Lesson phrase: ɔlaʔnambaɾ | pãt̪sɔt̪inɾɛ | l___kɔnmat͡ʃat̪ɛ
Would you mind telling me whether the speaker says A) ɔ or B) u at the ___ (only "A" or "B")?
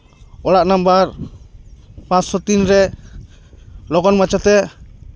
A